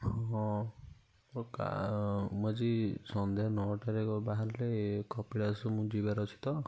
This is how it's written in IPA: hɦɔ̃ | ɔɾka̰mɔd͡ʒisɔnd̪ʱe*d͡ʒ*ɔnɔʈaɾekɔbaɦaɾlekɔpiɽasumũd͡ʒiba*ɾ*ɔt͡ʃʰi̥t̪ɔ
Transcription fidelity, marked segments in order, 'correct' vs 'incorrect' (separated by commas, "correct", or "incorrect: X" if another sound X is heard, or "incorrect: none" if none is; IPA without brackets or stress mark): incorrect: none, correct